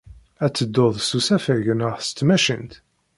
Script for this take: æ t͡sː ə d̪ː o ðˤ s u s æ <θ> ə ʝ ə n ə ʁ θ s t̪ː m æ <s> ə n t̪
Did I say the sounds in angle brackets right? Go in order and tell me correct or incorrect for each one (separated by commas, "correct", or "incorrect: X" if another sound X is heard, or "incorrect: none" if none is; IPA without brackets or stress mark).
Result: incorrect: f, incorrect: ʃ